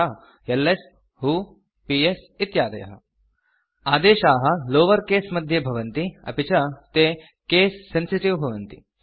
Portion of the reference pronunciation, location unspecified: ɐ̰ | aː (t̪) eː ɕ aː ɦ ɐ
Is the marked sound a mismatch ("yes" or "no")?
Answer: yes